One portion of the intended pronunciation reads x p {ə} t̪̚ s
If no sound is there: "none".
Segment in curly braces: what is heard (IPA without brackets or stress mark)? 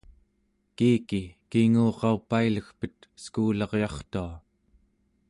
ə